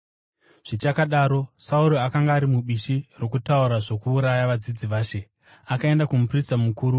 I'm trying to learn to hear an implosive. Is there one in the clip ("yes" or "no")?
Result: yes